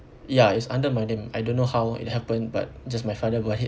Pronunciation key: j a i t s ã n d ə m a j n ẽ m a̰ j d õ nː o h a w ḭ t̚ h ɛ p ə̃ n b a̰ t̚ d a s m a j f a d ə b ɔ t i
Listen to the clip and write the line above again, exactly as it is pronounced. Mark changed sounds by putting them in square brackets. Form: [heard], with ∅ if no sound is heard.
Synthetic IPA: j a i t s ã n d ə m a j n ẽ m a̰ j d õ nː o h a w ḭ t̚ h ɛ p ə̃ n b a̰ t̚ [d͡ʒ] a s m a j f a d ə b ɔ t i